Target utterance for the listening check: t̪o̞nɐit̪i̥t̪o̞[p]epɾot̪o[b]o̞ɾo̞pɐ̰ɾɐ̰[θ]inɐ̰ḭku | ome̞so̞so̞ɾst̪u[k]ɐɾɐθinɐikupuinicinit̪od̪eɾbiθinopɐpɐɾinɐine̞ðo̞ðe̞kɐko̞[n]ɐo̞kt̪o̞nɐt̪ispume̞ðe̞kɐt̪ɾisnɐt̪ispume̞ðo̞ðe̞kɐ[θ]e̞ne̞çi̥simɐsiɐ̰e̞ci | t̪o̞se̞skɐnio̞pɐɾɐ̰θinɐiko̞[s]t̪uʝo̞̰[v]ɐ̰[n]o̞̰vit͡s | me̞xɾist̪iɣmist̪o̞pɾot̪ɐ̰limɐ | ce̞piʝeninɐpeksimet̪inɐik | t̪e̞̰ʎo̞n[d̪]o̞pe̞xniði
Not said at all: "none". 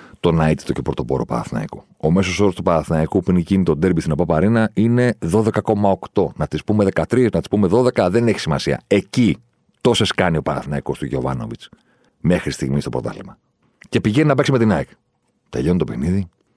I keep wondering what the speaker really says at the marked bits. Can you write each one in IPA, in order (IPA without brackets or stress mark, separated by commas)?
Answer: c, p, θ, p, m, ð, s, v, n, t̪